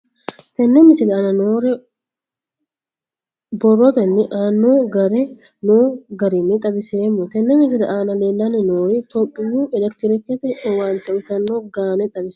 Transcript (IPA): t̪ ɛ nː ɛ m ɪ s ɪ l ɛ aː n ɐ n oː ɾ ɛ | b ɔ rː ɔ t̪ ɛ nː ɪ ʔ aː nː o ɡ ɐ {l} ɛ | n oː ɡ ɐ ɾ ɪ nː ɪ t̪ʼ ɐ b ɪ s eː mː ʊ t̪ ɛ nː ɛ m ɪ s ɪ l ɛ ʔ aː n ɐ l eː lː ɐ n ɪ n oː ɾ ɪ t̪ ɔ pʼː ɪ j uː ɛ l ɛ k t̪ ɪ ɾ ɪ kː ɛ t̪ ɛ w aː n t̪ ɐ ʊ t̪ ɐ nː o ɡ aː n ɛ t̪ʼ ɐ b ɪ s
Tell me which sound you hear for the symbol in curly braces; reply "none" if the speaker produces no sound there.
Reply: ɾ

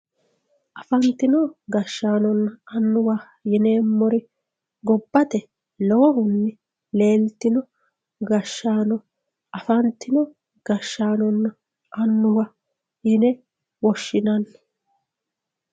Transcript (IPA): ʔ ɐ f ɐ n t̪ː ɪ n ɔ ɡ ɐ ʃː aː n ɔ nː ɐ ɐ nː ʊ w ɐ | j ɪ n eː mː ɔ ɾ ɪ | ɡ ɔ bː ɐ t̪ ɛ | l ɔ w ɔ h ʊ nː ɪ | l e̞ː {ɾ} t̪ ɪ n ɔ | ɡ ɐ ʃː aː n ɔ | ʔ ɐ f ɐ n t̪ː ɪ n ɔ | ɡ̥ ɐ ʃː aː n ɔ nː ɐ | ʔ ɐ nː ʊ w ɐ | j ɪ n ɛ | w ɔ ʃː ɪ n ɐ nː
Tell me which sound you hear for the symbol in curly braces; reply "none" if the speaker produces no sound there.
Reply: l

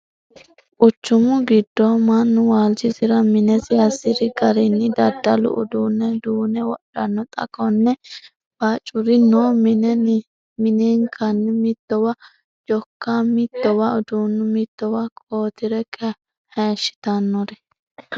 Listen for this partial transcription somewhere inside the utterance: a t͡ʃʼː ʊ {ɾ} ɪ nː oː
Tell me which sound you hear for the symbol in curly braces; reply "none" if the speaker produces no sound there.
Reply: ɾ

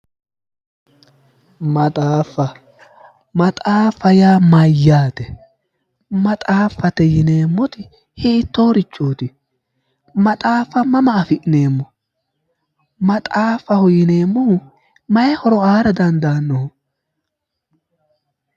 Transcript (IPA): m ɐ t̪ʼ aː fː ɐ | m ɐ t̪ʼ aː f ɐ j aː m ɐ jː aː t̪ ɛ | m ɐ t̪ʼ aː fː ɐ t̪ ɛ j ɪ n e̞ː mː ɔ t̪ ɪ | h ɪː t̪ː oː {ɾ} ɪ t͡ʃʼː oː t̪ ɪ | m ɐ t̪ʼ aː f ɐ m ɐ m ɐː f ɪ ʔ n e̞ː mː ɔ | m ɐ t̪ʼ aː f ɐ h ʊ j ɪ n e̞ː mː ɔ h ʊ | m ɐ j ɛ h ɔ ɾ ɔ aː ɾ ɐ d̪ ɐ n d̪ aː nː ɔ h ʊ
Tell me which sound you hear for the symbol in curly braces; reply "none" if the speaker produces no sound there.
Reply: ɾ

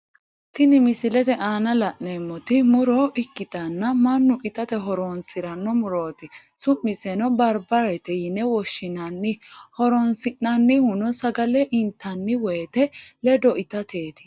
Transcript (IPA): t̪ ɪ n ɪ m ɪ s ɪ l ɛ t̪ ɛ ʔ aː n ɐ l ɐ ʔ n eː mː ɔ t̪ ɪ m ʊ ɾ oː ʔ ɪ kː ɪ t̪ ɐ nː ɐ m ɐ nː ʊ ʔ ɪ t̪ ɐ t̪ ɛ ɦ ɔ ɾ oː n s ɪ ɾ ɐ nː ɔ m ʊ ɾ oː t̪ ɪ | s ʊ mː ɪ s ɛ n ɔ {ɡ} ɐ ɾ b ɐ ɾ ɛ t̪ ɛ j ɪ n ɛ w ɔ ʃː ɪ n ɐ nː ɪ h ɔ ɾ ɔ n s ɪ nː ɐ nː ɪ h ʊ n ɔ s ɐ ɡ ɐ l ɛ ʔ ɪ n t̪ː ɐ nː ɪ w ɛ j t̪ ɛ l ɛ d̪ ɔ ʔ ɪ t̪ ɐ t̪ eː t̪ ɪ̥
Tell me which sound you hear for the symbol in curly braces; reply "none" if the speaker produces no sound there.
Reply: b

